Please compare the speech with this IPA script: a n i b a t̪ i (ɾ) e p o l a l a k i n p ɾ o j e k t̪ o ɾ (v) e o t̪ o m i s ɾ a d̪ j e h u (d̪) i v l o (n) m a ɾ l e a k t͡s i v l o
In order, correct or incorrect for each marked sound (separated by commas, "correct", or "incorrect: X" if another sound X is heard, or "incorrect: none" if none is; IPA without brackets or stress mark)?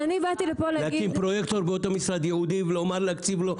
incorrect: l, incorrect: b, correct, incorrect: none